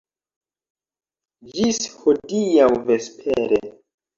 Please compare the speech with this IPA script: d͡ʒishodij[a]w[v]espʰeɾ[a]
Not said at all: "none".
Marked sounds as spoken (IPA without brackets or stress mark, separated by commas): a, v, e